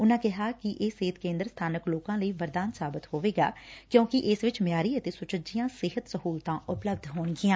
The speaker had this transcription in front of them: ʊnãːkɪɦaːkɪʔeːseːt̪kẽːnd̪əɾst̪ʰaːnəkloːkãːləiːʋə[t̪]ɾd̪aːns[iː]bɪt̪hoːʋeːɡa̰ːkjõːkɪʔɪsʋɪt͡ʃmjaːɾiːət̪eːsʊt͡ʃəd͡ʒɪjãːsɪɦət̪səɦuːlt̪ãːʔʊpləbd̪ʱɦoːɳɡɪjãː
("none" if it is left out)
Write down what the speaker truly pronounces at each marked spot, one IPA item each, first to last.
none, aː

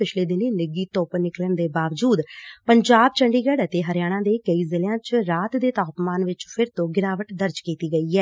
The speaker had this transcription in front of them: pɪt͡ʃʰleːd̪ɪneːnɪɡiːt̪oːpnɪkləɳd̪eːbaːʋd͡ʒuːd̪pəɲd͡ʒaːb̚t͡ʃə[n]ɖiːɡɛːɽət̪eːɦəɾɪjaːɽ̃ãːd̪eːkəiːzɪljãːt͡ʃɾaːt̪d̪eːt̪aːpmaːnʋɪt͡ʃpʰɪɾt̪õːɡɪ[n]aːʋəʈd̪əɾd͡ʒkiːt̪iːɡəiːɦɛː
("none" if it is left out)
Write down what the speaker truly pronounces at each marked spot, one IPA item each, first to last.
ɳ, n

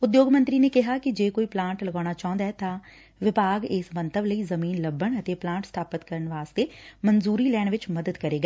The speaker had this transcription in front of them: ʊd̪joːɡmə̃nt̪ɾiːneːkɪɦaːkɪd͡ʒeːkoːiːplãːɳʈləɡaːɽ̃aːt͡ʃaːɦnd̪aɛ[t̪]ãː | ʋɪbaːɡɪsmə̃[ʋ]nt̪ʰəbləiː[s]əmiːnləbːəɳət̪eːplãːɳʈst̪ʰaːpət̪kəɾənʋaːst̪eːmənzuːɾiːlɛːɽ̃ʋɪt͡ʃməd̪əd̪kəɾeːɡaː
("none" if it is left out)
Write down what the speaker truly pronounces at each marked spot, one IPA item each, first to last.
t̪, none, z

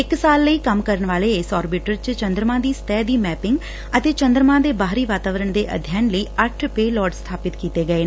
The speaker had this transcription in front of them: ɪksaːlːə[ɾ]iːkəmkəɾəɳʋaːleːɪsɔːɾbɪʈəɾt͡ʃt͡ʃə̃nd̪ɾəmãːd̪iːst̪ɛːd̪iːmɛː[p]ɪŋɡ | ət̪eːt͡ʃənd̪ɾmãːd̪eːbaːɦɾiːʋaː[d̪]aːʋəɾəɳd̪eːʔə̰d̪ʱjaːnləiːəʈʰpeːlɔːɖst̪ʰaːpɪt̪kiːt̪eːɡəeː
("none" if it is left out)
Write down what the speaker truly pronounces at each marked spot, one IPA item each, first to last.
none, p, t̪

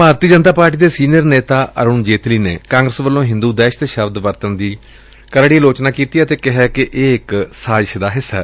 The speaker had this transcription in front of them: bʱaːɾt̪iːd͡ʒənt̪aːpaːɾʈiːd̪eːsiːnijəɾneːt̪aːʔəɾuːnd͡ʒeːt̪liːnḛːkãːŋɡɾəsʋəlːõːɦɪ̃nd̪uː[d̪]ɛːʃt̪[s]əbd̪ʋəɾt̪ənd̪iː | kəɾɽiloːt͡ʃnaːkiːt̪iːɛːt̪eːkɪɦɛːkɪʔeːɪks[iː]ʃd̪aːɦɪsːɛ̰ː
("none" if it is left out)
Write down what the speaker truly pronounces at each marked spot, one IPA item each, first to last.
d̪, ʃ, aː

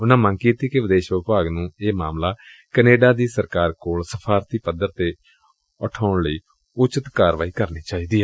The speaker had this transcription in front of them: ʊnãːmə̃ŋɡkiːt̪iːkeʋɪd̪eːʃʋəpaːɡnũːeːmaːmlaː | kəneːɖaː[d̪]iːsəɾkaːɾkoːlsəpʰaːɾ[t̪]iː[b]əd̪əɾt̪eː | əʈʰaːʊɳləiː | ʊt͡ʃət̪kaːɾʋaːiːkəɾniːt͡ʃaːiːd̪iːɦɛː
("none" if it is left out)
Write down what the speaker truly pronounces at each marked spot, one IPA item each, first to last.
d̪, t̪, p

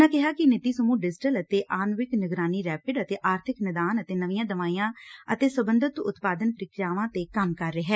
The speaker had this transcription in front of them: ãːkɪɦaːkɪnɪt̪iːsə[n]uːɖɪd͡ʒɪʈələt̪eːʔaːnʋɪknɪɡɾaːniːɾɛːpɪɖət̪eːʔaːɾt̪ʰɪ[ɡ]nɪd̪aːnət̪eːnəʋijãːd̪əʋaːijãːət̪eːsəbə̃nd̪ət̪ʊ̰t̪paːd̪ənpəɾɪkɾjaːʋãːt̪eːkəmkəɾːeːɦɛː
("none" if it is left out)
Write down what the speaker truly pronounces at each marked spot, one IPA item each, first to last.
m, k

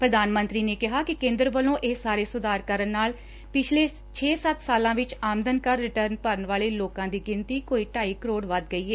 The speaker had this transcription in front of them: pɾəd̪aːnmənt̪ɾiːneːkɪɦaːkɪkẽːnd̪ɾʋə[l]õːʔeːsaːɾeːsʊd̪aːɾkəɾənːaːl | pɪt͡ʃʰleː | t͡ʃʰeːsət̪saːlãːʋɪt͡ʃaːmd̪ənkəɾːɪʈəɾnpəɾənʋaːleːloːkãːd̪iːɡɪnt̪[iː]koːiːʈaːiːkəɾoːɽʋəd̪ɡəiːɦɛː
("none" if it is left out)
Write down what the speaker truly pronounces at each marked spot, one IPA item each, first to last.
l, iː

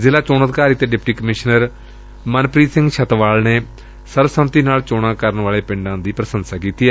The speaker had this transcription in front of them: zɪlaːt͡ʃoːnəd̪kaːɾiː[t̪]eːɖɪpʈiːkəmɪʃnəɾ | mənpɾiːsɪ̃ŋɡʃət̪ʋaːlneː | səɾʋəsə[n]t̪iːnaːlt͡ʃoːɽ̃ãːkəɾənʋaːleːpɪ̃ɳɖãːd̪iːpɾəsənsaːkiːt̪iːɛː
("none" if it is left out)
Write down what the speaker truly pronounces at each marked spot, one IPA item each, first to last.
t̪, m

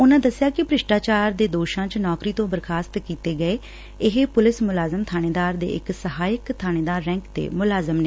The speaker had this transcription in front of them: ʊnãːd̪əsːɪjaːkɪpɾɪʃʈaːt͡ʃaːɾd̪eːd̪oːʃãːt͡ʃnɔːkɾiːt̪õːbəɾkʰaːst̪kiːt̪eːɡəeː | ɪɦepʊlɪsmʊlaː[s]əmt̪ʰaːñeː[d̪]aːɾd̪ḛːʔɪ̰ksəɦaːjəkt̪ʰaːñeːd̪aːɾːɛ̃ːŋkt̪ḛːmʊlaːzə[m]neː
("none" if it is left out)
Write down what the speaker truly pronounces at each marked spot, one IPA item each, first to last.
z, d̪, m

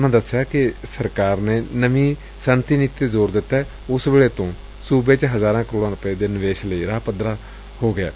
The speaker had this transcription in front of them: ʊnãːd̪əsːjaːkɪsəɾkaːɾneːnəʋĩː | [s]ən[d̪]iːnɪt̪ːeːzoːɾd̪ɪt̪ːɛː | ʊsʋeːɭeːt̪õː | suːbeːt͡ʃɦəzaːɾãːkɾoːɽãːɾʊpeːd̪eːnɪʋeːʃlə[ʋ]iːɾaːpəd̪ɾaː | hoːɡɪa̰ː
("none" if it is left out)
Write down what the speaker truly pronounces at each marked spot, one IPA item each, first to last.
s, t̪, none

